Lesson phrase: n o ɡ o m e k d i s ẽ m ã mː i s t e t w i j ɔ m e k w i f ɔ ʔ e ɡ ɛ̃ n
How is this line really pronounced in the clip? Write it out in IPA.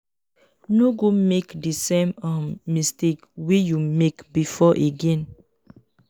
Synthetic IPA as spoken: n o ɡ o m e k d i s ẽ m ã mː i s t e k w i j u m e k b i f ɔ ʔ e ɡ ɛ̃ n